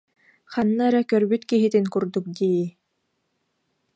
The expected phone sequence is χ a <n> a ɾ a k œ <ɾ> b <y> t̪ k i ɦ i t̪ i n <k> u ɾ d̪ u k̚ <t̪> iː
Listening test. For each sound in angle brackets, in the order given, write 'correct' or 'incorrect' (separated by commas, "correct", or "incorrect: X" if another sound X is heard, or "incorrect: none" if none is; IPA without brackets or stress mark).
incorrect: nː, correct, correct, correct, incorrect: d̪